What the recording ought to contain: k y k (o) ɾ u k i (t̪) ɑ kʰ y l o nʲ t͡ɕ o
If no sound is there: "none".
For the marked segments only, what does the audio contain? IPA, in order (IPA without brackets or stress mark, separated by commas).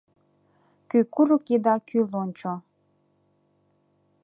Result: u, d̪